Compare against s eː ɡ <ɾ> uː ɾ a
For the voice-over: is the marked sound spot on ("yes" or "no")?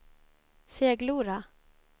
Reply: no